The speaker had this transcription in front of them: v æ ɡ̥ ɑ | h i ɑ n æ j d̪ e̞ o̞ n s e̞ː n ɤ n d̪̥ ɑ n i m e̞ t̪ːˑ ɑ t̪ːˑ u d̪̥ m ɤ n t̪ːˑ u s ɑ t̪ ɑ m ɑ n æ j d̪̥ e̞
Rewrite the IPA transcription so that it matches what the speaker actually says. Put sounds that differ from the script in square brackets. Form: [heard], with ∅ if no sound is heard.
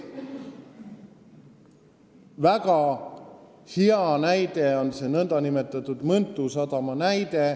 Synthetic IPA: v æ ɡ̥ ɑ | h i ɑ n æ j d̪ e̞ o̞ n s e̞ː n ɤ n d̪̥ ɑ n i m e̞ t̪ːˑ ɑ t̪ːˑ u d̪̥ m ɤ n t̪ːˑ u s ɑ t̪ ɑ m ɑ n æ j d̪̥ e̞